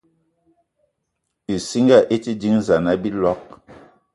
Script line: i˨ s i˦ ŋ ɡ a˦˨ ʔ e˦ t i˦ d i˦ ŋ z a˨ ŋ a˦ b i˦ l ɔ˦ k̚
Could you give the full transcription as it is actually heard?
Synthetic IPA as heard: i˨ s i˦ ŋ ɡ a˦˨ ʔ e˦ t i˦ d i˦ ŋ z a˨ n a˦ b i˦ l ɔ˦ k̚